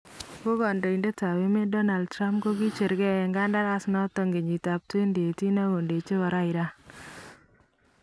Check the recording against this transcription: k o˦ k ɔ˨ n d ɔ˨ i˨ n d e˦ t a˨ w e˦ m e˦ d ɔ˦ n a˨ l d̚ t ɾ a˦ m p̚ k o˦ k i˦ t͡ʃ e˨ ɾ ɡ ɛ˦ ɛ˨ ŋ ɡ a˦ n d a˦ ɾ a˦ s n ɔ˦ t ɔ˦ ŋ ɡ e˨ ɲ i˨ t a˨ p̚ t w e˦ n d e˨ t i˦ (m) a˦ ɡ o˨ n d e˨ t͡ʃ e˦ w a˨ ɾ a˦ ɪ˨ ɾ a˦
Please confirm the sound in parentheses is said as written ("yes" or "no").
no